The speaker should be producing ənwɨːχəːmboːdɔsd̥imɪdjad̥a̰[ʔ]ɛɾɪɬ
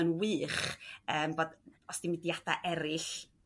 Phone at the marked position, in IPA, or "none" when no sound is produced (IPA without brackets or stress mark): ʔ